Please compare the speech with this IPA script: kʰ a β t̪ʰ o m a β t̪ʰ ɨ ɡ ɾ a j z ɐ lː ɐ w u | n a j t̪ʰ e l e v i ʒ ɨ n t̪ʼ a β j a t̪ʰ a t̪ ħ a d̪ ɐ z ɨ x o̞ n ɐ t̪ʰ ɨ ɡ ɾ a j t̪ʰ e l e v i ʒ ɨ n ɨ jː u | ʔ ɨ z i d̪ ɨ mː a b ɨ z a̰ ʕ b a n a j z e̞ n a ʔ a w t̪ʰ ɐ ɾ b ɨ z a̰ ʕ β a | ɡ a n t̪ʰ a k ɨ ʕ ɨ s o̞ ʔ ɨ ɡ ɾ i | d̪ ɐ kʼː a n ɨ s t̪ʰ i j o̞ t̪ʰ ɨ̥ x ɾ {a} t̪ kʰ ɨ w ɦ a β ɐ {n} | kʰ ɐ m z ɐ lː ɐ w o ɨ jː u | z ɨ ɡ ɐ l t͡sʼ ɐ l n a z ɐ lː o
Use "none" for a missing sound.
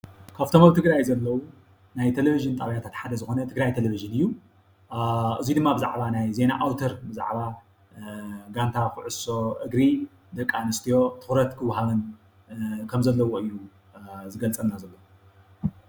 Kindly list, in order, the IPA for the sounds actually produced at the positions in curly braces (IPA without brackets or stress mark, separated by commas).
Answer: ɐ, n